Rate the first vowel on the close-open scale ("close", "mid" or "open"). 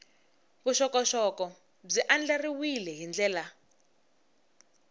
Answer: close